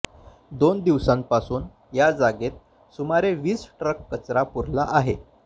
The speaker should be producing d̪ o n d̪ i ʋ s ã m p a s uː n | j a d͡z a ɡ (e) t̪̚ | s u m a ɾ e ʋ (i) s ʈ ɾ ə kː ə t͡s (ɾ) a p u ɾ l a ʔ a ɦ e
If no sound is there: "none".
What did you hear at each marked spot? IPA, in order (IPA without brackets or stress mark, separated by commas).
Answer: e, iː, ɾ